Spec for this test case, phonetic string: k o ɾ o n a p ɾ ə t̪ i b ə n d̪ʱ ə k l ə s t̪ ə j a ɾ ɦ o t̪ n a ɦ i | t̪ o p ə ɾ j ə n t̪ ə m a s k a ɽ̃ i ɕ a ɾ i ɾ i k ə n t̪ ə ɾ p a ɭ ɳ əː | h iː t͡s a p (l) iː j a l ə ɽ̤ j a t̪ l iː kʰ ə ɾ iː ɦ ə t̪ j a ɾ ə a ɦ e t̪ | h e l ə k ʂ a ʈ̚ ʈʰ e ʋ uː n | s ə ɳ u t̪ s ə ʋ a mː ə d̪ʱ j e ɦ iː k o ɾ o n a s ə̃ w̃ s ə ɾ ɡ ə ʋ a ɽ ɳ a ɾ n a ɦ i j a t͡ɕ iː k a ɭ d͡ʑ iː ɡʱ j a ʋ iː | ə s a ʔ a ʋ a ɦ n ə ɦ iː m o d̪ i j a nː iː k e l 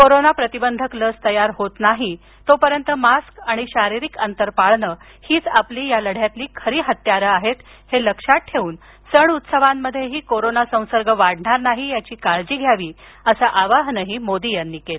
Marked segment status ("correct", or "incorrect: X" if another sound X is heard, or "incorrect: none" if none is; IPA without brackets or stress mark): correct